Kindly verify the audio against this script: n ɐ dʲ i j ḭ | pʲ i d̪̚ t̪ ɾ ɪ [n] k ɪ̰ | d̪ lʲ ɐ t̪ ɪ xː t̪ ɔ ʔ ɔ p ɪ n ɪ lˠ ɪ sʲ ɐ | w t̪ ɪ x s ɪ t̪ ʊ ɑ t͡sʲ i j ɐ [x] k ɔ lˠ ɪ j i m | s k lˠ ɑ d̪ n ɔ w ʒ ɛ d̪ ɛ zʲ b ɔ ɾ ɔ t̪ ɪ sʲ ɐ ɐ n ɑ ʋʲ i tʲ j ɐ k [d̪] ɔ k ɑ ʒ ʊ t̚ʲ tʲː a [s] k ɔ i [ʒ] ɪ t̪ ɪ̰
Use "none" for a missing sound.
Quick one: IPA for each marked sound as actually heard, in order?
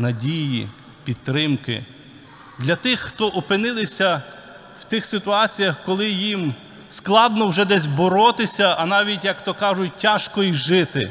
m, x, t̪, ʃ, ʒ

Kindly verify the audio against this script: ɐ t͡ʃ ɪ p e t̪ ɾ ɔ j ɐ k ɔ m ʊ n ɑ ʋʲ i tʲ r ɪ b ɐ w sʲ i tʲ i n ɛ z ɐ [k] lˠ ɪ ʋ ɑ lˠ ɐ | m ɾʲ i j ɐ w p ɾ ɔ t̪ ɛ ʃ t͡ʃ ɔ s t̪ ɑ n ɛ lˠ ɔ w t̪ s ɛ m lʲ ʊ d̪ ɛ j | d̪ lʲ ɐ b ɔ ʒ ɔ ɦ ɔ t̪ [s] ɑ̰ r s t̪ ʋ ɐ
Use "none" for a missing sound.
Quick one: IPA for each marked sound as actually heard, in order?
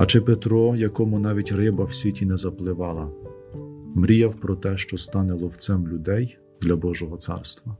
p, s

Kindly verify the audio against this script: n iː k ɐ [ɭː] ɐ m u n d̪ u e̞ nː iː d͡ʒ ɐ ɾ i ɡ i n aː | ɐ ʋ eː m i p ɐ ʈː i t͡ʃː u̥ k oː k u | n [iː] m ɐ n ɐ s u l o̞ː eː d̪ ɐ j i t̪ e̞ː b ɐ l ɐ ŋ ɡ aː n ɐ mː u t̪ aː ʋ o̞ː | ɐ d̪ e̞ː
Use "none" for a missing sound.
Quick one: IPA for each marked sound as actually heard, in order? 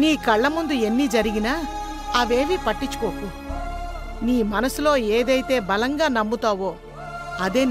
ɭː, iː

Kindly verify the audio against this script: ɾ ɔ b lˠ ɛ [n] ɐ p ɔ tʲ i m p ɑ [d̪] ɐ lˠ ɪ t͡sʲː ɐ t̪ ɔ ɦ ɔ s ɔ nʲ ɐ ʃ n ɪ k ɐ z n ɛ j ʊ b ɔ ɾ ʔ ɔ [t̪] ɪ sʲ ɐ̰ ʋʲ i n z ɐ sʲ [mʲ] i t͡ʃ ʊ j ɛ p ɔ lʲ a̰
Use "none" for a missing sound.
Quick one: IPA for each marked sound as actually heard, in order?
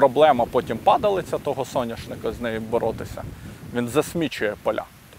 m, d̪, t̪, mʲ

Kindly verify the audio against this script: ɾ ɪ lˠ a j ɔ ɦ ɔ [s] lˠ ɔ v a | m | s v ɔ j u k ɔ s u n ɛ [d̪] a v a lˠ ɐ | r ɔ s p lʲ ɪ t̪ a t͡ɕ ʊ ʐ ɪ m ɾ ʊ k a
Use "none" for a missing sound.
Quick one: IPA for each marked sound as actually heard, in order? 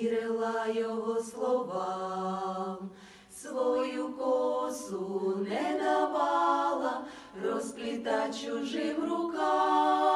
s, d̪

